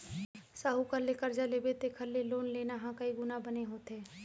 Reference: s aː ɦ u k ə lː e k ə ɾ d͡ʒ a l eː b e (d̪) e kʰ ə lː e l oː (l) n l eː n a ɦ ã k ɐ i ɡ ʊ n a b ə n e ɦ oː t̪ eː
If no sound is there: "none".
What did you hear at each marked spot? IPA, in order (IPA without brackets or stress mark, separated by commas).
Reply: t̪, none